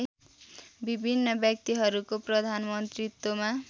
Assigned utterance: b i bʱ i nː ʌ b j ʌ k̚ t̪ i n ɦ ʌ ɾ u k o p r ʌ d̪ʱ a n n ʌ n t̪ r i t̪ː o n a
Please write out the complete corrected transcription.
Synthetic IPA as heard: b i bʱ i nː ʌ b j ʌ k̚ t̪ i ɦ ʌ ɾ u k o p r ʌ d̪ʱ a n m ʌ n t̪ r i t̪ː o m a